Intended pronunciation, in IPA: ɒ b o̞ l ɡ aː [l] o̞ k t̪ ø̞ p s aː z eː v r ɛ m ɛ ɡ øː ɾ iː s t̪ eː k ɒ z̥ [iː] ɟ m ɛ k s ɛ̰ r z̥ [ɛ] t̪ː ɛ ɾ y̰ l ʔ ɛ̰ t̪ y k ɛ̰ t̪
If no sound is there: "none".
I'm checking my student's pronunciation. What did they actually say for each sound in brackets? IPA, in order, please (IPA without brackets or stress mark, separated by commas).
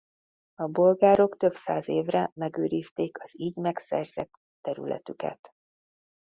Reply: ɾ, iː, ɛ